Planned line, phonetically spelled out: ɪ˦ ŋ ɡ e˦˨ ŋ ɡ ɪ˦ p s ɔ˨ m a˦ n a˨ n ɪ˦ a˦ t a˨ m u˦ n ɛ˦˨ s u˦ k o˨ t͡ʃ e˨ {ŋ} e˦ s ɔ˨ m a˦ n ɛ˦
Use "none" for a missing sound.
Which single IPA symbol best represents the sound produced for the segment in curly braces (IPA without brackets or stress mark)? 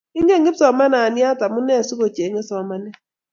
ŋ